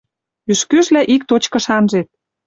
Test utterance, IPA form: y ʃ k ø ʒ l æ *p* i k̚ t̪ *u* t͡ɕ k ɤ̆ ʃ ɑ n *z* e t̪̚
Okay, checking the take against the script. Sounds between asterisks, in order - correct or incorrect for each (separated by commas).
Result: incorrect, incorrect, incorrect